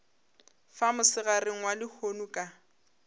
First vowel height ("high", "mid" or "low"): low